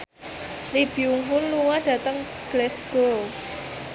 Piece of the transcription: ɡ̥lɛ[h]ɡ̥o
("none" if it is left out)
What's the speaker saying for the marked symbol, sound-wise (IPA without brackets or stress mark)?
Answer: s